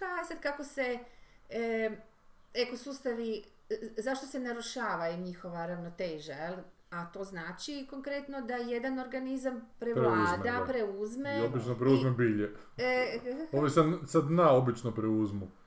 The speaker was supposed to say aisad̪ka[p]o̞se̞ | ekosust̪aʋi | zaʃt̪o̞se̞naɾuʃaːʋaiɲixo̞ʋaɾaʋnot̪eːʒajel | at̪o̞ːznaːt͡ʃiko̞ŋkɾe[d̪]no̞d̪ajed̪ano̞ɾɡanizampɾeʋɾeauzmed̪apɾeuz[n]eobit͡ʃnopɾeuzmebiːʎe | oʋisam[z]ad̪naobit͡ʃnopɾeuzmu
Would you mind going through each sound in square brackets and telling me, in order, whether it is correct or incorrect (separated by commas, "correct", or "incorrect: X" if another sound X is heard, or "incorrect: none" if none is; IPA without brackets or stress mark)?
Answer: incorrect: k, incorrect: t̪, incorrect: m, incorrect: s